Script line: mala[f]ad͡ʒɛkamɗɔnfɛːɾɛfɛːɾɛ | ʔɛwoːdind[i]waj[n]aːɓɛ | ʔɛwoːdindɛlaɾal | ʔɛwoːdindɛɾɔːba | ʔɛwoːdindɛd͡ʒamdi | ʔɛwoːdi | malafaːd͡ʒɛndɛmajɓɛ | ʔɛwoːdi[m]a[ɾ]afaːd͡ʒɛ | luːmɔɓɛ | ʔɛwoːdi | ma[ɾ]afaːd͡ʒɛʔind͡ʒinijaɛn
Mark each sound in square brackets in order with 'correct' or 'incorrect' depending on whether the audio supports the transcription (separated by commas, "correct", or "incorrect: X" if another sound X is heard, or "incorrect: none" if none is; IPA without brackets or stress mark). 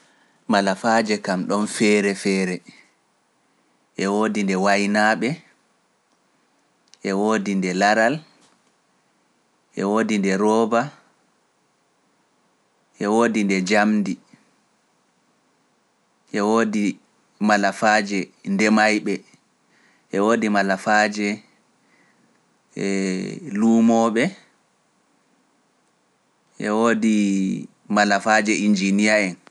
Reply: correct, incorrect: ɛ, correct, correct, incorrect: l, incorrect: l